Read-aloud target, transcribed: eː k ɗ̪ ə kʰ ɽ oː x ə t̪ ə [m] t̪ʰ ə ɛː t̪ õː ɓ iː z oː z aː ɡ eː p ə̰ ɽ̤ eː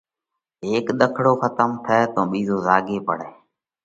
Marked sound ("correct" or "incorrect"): correct